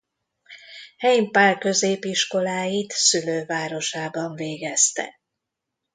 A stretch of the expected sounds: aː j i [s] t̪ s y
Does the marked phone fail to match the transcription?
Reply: yes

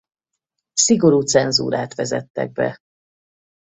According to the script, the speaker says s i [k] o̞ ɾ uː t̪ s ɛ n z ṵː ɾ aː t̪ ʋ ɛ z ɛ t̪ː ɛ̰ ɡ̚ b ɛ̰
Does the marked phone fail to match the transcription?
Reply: yes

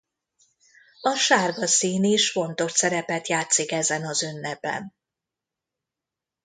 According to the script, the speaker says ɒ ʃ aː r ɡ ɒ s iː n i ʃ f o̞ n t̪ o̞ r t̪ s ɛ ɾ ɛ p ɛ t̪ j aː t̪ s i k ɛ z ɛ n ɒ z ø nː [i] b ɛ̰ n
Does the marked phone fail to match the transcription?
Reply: yes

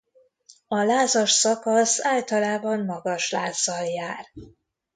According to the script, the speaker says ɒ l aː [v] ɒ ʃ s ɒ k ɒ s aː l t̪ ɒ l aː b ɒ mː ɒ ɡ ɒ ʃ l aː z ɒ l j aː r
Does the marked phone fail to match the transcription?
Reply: yes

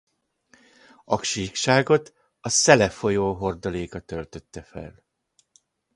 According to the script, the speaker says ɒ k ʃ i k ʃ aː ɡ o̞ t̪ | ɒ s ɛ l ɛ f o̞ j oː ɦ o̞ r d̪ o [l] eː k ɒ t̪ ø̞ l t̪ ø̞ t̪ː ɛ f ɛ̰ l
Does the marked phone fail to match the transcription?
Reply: no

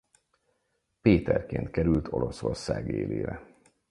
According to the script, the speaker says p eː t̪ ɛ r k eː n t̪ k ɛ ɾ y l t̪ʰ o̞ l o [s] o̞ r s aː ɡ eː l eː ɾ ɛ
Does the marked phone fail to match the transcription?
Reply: no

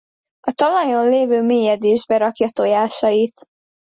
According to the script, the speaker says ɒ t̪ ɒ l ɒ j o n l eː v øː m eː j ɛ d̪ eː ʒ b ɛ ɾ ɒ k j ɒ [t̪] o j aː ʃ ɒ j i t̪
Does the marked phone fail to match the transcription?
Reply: no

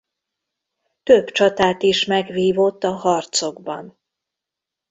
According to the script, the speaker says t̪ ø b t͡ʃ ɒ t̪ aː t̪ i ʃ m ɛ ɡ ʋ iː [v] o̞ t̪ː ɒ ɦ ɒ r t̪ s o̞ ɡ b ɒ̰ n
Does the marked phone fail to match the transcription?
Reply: no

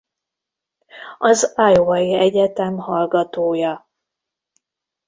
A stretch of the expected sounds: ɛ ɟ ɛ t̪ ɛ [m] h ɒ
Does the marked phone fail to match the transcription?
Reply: no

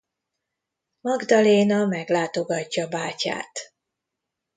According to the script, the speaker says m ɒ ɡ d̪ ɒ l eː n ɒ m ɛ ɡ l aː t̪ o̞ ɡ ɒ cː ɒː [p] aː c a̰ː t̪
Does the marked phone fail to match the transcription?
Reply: yes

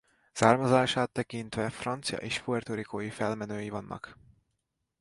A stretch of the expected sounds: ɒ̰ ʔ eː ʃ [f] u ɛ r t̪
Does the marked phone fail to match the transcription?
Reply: no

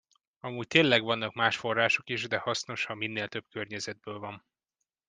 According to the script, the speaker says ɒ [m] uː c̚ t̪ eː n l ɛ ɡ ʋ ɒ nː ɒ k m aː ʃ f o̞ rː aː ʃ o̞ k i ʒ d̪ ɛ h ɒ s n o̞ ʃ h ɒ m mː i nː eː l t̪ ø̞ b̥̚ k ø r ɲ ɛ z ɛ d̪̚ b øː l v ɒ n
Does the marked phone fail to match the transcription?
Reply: no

